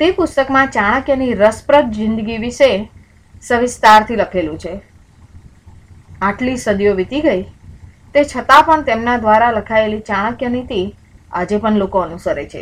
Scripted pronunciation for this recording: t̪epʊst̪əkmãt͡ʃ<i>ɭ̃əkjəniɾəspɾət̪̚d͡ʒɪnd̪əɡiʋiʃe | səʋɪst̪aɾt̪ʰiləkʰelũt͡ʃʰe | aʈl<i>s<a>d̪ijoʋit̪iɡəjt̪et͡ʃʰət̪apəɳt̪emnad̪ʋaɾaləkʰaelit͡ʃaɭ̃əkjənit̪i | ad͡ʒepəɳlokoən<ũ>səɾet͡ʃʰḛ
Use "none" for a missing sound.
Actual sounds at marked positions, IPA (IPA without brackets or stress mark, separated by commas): a, i, ə, u